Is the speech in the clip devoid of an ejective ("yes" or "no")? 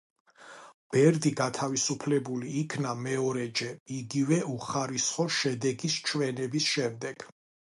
yes